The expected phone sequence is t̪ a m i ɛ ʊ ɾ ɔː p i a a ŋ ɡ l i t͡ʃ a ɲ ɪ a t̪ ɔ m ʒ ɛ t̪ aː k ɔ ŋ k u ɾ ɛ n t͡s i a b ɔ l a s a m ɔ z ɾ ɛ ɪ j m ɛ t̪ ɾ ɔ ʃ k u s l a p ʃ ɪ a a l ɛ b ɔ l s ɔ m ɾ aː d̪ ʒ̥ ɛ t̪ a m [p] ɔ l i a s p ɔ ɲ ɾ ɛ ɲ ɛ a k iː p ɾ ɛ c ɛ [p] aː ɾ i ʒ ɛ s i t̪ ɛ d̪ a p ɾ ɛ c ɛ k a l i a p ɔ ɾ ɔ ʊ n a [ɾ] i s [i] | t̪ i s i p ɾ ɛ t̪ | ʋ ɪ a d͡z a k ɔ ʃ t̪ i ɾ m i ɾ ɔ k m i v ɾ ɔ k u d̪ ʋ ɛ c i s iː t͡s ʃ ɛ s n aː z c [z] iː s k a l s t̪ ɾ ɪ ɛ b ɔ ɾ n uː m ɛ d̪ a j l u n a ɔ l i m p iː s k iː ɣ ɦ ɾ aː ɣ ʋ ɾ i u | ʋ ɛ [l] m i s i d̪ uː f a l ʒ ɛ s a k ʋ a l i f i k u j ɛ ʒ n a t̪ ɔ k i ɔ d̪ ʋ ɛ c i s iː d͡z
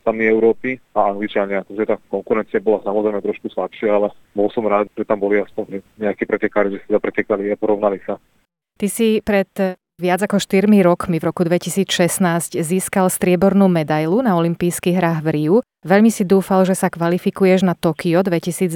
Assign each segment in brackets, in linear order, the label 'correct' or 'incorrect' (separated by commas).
incorrect, incorrect, incorrect, incorrect, correct, incorrect